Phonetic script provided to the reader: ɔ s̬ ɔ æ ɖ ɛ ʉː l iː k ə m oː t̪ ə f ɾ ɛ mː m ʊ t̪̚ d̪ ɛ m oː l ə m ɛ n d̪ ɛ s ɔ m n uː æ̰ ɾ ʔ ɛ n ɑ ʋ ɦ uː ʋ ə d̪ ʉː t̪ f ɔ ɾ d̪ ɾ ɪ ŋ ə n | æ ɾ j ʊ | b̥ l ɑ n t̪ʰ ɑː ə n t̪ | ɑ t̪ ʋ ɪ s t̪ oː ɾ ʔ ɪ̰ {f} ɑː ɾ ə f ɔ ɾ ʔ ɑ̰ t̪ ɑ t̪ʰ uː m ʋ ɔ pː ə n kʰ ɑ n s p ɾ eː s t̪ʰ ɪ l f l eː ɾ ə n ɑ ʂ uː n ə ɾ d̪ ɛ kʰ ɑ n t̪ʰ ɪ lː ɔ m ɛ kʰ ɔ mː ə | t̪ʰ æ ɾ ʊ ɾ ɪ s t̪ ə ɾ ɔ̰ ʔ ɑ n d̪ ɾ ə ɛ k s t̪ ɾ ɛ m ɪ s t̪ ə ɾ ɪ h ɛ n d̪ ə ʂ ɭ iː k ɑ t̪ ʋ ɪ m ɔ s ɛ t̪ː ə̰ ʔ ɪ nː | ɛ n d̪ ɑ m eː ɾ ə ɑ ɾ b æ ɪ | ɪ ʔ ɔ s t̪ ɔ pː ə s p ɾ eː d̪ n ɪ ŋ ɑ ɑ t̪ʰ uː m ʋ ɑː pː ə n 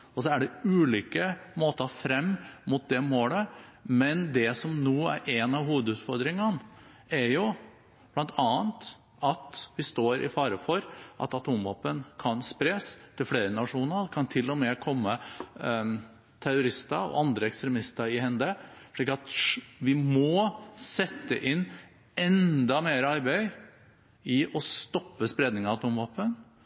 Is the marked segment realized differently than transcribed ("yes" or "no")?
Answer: no